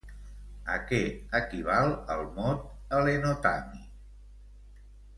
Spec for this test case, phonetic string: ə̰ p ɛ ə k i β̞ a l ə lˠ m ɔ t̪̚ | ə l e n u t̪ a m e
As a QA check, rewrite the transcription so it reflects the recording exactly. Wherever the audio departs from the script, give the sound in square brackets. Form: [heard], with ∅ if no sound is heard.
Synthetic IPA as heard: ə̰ [k] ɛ ə k i β̞ a l ə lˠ m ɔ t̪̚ | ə l e n [o] t̪ a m [i]